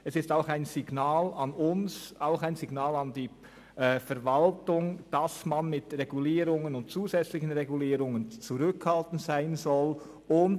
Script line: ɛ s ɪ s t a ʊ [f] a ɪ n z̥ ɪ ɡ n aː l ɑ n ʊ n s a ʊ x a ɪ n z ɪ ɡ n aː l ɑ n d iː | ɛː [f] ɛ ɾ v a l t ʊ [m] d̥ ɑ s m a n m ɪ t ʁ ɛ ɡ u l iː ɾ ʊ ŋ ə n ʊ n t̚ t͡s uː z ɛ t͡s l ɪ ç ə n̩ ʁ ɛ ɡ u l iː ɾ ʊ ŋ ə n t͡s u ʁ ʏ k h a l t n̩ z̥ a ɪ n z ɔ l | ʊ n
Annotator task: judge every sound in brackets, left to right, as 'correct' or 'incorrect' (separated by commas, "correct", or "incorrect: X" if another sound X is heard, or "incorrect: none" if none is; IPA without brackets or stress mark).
incorrect: x, correct, incorrect: ŋ